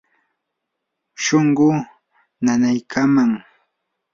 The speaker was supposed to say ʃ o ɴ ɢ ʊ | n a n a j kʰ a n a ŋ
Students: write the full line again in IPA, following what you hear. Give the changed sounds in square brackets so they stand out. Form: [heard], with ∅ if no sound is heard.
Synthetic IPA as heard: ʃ o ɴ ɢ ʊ | n a n a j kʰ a [m] a ŋ